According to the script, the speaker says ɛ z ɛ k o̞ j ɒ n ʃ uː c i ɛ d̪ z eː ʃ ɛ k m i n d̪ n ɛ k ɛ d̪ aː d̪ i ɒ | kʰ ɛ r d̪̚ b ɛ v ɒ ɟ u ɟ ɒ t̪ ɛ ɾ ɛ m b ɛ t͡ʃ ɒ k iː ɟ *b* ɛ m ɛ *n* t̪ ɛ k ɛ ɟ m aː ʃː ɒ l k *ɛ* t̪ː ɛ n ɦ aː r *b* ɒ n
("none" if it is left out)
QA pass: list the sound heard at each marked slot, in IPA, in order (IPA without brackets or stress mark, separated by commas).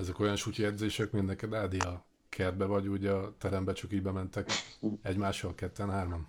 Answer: b, n, ɛ, m